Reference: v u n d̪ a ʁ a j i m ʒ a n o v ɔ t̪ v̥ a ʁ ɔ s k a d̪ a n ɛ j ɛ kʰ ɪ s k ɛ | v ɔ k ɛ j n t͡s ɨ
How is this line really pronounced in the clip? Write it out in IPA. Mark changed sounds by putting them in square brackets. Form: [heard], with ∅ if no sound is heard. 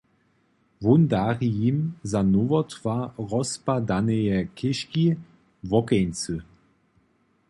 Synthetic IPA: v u n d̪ a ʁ [i] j i m [z] a n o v ɔ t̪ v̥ a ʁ ɔ s [p] a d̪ a n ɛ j ɛ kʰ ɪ [ʃ] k [i] | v ɔ k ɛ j n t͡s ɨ